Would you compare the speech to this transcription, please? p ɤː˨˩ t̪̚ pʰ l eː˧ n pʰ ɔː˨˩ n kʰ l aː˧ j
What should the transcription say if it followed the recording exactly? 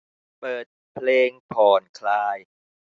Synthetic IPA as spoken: p ɤː˨˩ t̪̚ pʰ l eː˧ ŋ pʰ ɔː˨˩ n kʰ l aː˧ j